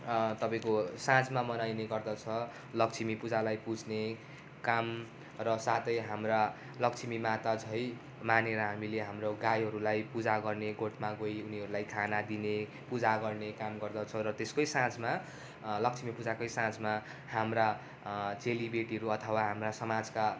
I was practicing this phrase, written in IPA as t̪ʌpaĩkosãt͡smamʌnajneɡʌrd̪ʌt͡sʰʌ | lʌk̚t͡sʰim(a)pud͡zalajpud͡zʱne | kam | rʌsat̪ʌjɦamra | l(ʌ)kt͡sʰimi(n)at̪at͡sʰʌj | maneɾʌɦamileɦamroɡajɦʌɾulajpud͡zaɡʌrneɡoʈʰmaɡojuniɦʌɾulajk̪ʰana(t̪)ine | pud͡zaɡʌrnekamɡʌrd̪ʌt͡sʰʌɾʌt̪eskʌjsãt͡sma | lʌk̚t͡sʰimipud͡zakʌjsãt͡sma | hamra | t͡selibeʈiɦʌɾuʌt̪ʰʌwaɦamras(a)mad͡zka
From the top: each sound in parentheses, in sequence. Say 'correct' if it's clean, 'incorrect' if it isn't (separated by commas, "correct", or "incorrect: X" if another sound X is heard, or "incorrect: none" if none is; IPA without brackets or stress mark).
incorrect: i, correct, incorrect: m, incorrect: d̪, incorrect: ʌ